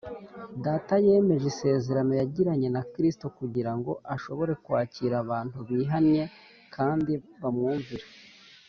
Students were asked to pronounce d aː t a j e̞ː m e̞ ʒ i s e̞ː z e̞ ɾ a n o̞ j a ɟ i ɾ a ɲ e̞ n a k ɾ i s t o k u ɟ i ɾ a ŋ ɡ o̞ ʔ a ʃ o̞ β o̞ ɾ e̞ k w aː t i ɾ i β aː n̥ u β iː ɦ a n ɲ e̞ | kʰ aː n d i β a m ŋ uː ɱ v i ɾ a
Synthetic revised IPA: d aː t a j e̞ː m e̞ ʒ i s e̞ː z e̞ ɾ a n o̞ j a ɟ i ɾ a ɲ e̞ n a k ɾ i s t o k u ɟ i ɾ a ŋ ɡ o̞ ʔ a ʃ o̞ β o̞ ɾ e̞ k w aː c i ɾ a β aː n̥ u β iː ɦ a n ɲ e̞ | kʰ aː n d i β a m ŋ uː ɱ v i ɾ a

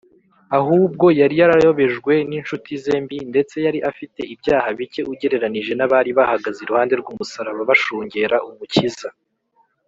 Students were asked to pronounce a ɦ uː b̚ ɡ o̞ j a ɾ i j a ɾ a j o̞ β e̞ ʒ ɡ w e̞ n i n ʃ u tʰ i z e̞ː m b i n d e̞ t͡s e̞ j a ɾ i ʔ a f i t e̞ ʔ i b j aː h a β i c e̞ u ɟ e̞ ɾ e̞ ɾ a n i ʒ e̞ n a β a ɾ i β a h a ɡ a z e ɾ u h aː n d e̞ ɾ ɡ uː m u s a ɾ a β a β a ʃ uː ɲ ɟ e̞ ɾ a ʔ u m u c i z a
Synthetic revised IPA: a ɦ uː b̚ ɡ o̞ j a ɾ i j a ɾ a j o̞ β e̞ ʒ ɡ w e̞ n i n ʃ u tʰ i z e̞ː m b i n d e̞ t͡s e̞ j a ɾ i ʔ a f i t e̞ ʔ i b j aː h a β i c e̞ u ɟ e̞ ɾ e̞ ɾ a n i ʒ e̞ n a β a ɾ i β a h a ɡ a z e ɾ u h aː n d e̞ ɾ ɡ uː m u s a ɾ a β a β a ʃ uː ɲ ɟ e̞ ɾ a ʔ u m u c i z a

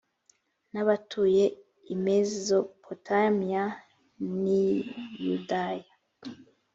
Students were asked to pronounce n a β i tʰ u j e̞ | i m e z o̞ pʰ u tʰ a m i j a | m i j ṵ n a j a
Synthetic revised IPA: n a β a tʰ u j e̞ | i m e z o̞ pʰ o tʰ a m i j a | n i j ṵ d a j a

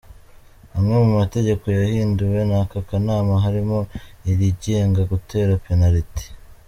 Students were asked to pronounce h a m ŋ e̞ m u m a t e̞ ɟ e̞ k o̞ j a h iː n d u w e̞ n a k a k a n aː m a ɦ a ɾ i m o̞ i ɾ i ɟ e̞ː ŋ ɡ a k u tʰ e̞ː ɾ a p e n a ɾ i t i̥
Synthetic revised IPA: h a m ŋ e̞ m u m a t e̞ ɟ e̞ k o̞ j a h iː n d u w e̞ n a k a k a n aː m a ɦ a ɾ i m o̞ i ɾ i ɟ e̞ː ŋ ɡ a ɡ u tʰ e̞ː ɾ a p e n a ɾ i t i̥

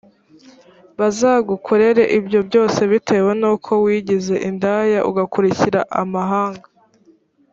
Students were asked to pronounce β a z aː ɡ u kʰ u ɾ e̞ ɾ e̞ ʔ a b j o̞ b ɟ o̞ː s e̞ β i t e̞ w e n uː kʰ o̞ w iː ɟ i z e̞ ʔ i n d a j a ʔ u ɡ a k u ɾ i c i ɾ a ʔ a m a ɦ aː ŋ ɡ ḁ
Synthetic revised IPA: β a z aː ɡ u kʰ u ɾ e̞ ɾ e̞ ʔ i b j o̞ b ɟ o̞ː s e̞ β i t e̞ w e n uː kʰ o̞ w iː ɟ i z e̞ ʔ i n d a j a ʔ u ɡ a k u ɾ i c i ɾ a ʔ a m a ɦ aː ŋ ɡ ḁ

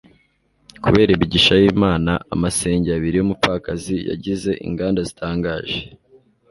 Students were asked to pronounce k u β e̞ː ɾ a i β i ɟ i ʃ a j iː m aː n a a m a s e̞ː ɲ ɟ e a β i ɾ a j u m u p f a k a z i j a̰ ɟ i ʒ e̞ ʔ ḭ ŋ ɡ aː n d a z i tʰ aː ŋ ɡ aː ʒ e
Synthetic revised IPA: k u β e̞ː ɾ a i β i ɟ i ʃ a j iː m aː n a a m a s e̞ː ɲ ɟ e a β i ɾ i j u m u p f a k a z i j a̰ ɟ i z e̞ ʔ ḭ ŋ ɡ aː n d a z i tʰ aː ŋ ɡ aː ʒ e

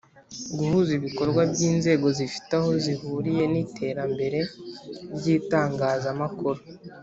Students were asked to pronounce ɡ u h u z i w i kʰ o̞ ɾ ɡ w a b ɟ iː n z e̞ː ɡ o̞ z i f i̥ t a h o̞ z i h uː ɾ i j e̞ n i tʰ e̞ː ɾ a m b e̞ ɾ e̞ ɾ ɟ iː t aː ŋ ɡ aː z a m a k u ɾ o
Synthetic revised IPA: ɡ u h u z i β i k o̞ ɾ ɡ w a b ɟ iː n z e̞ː ɡ o̞ z i f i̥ t a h o̞ z i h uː ɾ i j e̞ n i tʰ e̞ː ɾ a m b e̞ ɾ e̞ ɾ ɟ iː t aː ŋ ɡ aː z a m a k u ɾ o

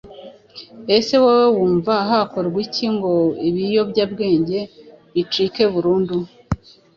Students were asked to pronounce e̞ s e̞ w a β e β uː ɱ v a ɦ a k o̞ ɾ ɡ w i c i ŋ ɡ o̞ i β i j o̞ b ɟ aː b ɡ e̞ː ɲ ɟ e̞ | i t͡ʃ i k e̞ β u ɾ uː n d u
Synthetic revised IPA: e̞ s e̞ w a w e w uː ɱ v a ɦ a k o̞ ɾ ɡ w i c i ŋ ɡ o̞ i β i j o̞ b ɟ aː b ɡ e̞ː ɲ ɟ e̞ | i t͡ʃ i k e̞ β u ɾ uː n d u

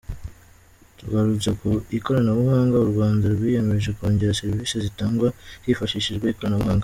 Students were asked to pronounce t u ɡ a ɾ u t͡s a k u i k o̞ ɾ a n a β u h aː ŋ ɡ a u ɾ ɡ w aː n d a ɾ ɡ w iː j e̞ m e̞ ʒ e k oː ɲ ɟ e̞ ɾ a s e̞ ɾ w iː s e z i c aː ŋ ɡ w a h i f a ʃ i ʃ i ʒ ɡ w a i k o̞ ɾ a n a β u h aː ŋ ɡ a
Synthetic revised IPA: t u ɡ a ɾ u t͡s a k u i k o̞ ɾ a n a β u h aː ŋ ɡ a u ɾ ɡ w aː n d a ɾ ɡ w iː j e̞ m e̞ ʒ e k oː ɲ ɟ e̞ ɾ a s e̞ ɾ v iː s e z i t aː ŋ ɡ w a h i f a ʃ i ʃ i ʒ ɡ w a i k o̞ ɾ a n a β u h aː ŋ ɡ a

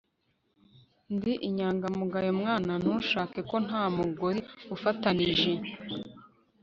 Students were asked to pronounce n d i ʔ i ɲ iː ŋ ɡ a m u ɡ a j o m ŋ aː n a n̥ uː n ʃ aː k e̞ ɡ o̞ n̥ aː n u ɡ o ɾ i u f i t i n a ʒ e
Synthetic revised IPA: n d i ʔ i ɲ aː ŋ ɡ a m u ɡ a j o m ŋ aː n a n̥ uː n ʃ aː k e̞ k o̞ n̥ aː m u ɡ o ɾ i u f a t a n i ʒ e

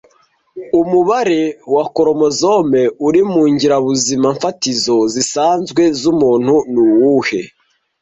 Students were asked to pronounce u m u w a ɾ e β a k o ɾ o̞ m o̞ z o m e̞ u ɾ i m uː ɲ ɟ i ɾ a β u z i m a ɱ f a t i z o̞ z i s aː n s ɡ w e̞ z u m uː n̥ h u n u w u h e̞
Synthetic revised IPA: u m u β a ɾ e w a k o ɾ o̞ m o̞ z o m e̞ u ɾ i m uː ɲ ɟ i ɾ a β u z i m a ɱ f a t i z o̞ z i s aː n z ɡ w e̞ z u m uː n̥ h u n u w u h e̞

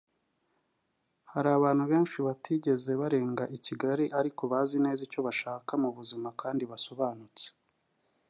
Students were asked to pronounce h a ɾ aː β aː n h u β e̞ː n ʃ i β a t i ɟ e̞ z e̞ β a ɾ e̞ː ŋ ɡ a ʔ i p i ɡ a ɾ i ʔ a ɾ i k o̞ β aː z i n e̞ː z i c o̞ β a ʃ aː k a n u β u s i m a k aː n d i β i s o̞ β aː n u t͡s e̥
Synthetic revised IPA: h a ɾ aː β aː n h u β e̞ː n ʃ i β a t i ɟ e̞ z e̞ β a ɾ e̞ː ŋ ɡ a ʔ i c i ɡ a ɾ i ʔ a ɾ i k o̞ β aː z i n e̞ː z i c o̞ β a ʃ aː k a m u β u z i m a k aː n d i β a s o̞ β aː n u t͡s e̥

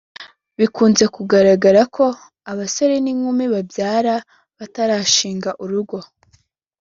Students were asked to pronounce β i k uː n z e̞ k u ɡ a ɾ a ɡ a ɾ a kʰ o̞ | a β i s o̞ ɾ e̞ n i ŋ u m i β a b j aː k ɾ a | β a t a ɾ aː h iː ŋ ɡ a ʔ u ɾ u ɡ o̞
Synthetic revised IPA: β i k uː n z e̞ k u ɡ a ɾ a ɡ a ɾ a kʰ o̞ | a β a s o̞ ɾ e̞ n i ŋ u m i β a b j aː ɾ a | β a t a ɾ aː ʃ iː ŋ ɡ a ʔ u ɾ u ɡ o̞

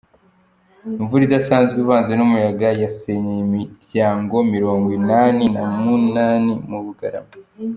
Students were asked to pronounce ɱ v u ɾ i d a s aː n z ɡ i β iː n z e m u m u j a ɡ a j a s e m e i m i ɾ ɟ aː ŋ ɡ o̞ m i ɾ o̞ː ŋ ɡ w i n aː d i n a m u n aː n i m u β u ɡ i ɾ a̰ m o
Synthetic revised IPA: ɱ v u ɾ i d a s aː n z ɡ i β aː n z e n u m u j a ɡ a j a s e ɲ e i m i ɾ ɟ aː ŋ ɡ o̞ m i ɾ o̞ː ŋ ɡ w i n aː n i n a m u n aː n i m u β u ɡ a ɾ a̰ m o

